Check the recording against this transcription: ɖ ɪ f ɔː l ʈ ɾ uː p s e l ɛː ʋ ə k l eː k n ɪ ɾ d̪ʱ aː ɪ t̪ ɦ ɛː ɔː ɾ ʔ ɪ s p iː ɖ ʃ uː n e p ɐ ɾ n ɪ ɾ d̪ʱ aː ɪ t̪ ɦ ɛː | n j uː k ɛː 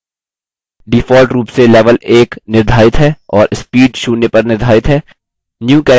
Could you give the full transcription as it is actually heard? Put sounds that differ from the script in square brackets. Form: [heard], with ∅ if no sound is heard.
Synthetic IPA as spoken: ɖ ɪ f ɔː l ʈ ɾ uː p s e l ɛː ʋ ə [∅] l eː k n ɪ ɾ d̪ʱ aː ɪ t̪ ɦ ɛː ɔː ɾ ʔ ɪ s p iː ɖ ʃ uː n e p ɐ ɾ n ɪ ɾ d̪ʱ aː ɪ t̪ ɦ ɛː | n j uː k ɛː